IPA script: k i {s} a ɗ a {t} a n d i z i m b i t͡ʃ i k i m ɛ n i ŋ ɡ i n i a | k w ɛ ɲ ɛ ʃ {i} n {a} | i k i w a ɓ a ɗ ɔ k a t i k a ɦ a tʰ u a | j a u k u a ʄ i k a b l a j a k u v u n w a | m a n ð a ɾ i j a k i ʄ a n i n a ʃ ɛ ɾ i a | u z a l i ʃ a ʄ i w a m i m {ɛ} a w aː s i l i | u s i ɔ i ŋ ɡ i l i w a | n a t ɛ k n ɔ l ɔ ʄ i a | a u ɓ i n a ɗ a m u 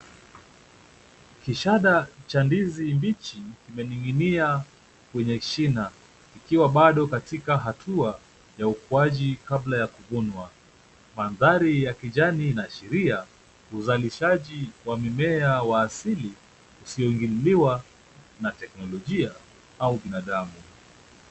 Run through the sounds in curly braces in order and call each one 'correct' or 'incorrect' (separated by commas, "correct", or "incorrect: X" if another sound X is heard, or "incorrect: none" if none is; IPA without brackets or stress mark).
incorrect: ʃ, incorrect: t͡ʃ, correct, correct, correct